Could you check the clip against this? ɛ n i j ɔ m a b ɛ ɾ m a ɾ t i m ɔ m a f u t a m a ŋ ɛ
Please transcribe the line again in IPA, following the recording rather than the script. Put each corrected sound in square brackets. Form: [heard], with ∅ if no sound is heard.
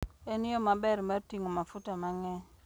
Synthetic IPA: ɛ n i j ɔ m a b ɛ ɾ m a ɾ t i [ŋ] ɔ m a f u t a m a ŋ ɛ